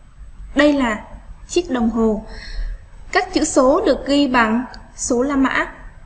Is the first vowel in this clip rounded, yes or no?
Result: no